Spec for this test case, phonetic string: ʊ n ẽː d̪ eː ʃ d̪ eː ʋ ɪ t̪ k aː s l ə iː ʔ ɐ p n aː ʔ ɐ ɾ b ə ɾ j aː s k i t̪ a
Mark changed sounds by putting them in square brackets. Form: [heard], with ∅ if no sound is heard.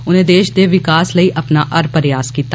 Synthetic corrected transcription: ʊ n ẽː d̪ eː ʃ d̪ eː ʋ ɪ [∅] k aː s l ə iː ʔ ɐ p n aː ʔ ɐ ɾ [p] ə ɾ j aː s k [iː] t̪ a